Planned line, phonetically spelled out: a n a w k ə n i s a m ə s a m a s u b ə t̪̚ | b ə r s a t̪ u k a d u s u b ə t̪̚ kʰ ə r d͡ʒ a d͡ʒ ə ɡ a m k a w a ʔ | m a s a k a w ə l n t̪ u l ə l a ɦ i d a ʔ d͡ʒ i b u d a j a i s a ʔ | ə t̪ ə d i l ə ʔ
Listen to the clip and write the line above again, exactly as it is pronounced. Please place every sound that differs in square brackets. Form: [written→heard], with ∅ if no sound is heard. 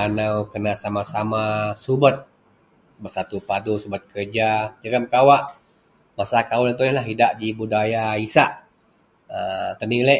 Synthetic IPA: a n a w k ə n [i→a] s a m [ə→a] s a m a s u b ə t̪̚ | b ə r s a t̪ u [k→p] a d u s u b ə t̪̚ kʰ ə r d͡ʒ a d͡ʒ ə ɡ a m k a w a ʔ | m a s a k a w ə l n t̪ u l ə l a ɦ i d a ʔ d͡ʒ i b u d a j a i s a ʔ | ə t̪ ə [d→n] i l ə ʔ